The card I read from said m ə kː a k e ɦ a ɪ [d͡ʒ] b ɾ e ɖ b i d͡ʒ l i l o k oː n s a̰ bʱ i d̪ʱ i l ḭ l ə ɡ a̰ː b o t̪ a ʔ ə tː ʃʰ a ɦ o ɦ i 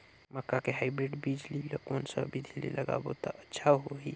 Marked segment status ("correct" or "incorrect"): incorrect